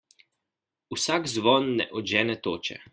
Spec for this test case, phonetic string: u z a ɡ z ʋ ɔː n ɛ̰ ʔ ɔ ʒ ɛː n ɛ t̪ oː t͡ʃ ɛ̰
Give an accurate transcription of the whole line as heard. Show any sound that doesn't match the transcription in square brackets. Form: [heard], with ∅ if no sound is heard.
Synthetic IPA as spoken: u [s] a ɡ z ʋ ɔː [nː] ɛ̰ ʔ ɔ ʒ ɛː n ɛ t̪ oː t͡ʃ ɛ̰